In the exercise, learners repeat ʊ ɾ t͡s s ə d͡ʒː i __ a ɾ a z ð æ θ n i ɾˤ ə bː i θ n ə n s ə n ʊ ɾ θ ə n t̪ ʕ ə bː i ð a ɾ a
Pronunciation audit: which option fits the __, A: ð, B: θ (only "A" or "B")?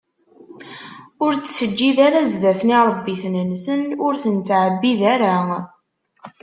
A